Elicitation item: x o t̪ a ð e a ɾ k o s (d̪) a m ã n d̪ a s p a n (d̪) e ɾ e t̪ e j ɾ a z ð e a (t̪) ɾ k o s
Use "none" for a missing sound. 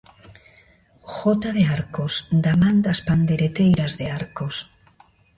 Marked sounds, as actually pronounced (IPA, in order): d̪, d̪, none

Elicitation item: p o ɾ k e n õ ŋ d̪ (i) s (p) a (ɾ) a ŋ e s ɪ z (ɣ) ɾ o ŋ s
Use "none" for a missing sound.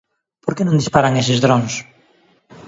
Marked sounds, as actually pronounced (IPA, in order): i, p, ɾ, ð

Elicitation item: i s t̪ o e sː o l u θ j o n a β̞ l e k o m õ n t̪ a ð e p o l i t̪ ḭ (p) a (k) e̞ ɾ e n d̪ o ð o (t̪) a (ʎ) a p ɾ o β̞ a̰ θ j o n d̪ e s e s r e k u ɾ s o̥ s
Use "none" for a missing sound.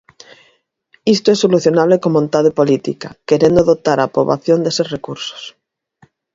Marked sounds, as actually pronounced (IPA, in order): k, k, t̪, ɾ

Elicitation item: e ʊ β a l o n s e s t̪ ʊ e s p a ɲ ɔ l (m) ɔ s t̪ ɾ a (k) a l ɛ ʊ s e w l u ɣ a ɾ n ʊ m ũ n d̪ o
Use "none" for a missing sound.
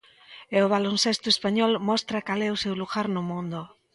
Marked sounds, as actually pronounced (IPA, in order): m, k

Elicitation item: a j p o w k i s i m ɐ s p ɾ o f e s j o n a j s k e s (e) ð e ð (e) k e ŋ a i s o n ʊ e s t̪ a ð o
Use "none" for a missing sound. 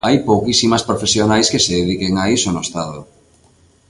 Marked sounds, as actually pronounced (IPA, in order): e, i

